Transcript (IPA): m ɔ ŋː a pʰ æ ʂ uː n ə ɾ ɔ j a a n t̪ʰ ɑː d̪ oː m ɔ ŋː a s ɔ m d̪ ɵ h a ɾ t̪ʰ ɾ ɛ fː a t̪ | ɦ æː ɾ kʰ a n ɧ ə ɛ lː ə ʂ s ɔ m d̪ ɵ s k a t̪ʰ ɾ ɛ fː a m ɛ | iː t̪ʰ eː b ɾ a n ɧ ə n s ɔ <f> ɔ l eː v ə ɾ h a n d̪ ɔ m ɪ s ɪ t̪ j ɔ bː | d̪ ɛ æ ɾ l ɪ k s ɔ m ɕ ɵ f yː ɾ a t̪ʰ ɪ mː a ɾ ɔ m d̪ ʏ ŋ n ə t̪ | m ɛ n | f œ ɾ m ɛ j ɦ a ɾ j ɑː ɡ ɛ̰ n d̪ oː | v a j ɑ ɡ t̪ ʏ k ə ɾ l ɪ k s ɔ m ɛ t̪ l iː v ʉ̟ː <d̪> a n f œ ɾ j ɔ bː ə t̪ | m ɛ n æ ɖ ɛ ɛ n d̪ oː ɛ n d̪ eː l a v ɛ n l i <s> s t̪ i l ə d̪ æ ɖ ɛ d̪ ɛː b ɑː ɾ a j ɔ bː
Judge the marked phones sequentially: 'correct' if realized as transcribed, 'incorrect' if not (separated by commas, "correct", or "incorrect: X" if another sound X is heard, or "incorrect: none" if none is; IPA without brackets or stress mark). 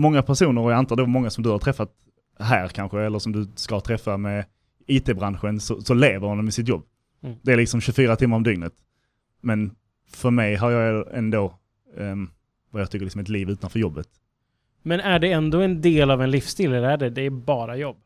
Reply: incorrect: s, incorrect: t̪, incorrect: f